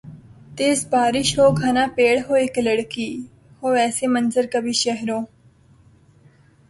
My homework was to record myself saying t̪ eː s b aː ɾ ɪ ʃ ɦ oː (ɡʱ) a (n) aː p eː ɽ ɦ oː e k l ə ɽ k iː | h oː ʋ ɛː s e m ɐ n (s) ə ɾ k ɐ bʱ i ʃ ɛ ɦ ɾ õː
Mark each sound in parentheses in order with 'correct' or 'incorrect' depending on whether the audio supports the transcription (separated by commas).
correct, correct, incorrect